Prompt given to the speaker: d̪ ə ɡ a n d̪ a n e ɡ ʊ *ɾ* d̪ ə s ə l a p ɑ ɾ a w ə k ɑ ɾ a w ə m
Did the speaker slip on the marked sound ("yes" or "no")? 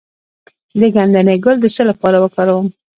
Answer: yes